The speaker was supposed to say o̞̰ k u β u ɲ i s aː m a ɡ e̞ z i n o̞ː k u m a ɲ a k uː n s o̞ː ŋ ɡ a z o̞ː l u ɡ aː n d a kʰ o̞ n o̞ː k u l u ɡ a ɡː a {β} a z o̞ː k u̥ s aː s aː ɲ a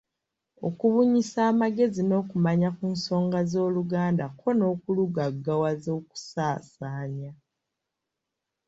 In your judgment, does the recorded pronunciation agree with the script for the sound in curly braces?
no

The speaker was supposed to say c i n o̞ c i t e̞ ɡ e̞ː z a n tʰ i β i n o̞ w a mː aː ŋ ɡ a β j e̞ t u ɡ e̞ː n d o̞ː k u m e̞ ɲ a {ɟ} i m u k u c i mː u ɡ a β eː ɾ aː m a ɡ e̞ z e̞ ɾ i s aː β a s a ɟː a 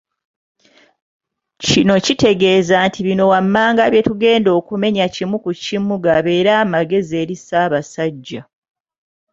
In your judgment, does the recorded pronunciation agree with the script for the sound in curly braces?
no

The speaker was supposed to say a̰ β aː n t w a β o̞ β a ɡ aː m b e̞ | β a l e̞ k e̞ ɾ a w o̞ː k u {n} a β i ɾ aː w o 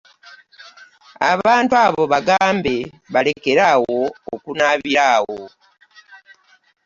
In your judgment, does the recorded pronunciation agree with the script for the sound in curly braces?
yes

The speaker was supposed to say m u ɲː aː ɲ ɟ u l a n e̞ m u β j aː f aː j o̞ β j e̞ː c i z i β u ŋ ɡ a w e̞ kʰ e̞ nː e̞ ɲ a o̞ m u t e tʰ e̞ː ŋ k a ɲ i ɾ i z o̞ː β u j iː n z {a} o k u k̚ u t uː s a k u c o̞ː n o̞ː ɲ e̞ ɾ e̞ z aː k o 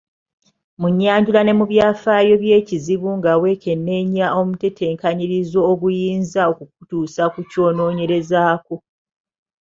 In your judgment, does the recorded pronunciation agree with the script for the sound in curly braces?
yes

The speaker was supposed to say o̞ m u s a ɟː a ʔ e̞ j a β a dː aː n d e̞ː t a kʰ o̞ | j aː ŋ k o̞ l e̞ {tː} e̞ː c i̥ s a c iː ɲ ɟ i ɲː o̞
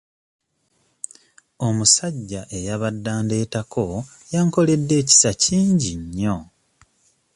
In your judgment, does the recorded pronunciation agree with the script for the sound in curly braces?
no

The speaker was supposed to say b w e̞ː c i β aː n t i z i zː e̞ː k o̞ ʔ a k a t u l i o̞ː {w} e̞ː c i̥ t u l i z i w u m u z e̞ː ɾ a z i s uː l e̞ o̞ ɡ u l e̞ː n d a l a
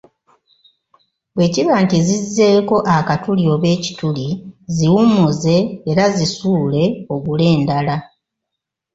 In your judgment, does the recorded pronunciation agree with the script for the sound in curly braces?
no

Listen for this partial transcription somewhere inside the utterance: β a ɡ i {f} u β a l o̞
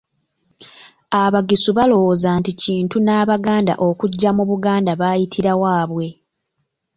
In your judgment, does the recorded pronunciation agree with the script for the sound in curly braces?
no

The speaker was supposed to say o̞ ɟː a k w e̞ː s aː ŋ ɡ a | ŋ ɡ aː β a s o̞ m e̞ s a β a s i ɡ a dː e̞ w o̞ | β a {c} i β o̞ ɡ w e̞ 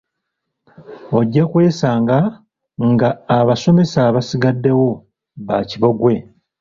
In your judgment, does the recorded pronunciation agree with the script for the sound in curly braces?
yes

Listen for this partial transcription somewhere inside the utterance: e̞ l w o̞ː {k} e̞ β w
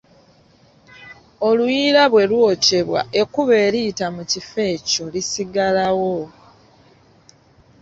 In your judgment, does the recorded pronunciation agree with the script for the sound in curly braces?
no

